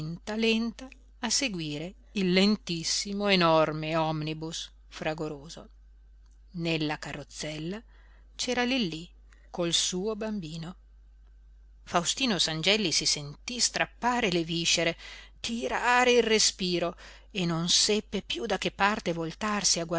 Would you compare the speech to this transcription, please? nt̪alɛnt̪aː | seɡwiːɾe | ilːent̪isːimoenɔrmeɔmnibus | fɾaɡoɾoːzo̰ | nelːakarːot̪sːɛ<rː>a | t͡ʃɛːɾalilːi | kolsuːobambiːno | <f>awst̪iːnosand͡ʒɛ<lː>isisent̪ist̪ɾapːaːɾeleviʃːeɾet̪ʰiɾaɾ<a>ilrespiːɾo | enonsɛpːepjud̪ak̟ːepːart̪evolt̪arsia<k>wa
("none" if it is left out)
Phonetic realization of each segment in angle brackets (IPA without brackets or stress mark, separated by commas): lː, f, lː, e, ɡ